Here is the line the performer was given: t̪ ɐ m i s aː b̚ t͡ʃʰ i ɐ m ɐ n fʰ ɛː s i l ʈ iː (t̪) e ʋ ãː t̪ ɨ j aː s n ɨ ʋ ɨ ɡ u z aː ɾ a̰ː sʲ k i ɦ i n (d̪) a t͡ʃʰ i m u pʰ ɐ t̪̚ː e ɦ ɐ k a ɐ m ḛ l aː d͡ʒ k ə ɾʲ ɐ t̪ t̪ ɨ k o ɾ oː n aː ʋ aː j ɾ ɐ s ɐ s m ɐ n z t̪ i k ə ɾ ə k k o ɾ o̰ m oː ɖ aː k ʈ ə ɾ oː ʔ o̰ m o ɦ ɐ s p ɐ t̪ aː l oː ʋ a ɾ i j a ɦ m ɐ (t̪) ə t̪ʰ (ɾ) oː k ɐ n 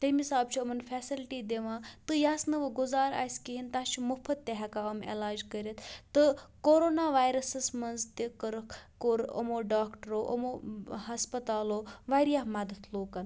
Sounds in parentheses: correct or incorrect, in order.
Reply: incorrect, incorrect, incorrect, incorrect

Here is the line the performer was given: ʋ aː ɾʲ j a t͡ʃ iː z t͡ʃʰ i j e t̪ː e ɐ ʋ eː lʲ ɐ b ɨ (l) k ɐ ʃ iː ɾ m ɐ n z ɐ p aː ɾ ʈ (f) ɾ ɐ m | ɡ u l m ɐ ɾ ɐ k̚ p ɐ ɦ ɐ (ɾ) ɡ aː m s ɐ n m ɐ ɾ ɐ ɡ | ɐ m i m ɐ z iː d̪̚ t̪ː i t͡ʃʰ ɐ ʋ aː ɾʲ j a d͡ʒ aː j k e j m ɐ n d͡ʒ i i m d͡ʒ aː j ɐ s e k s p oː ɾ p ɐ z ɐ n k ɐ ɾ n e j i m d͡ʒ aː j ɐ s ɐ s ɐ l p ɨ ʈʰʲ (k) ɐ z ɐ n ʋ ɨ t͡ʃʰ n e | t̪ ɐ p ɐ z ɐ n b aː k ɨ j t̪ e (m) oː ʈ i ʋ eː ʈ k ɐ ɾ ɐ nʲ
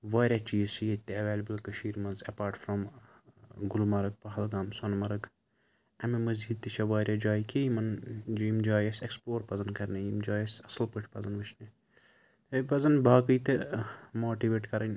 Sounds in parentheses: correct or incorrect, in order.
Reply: correct, correct, incorrect, incorrect, correct

